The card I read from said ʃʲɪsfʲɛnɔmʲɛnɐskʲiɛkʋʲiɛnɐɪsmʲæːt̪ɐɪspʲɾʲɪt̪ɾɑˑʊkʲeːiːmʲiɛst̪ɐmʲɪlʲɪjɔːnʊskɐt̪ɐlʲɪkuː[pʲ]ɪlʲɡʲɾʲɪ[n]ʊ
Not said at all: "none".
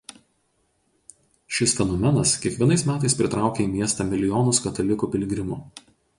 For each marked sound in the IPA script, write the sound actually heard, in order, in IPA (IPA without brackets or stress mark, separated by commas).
pʲ, m